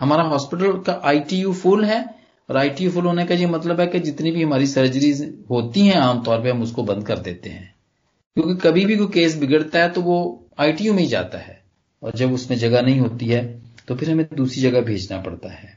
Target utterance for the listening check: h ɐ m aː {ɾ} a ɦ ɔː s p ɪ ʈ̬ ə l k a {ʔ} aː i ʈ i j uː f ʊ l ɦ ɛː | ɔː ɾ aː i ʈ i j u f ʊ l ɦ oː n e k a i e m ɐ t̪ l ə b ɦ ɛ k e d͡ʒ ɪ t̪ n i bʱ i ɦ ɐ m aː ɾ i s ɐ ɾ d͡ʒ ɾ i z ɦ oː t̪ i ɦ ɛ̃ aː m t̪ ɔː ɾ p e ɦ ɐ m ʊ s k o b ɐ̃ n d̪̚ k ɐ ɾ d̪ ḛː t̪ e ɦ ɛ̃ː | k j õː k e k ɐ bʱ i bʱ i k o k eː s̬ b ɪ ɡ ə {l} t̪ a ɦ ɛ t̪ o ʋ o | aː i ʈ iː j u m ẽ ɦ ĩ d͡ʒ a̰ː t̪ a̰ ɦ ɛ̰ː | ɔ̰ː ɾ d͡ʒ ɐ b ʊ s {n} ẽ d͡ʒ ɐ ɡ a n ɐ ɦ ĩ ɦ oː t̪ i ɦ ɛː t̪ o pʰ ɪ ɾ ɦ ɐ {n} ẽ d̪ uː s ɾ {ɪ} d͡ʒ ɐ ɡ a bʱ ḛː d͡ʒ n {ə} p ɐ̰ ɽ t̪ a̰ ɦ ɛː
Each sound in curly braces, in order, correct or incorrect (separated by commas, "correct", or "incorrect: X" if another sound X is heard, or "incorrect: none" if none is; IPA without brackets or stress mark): correct, correct, incorrect: ɽ, incorrect: m, incorrect: m, incorrect: i, incorrect: a